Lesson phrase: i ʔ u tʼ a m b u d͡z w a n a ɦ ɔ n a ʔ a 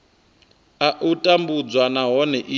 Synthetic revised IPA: a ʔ u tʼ a m b u d͡z w a n a ɦ ɔ n ɛ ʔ i